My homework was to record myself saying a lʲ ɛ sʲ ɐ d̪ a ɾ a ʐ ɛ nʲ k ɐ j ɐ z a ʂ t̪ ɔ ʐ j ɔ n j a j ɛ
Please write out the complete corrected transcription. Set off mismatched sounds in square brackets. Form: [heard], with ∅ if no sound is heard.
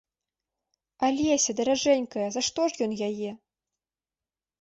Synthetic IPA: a lʲ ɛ sʲ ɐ d̪ [ɐ] ɾ a ʐ ɛ nʲ k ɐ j ɐ z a ʂ t̪ ɔ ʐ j ɔ n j a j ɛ